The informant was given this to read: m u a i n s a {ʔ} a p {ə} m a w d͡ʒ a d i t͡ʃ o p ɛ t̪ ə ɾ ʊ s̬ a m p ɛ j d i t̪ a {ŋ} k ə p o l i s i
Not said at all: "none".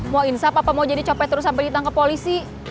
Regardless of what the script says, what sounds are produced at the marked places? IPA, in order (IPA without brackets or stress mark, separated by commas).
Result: p, a, ŋ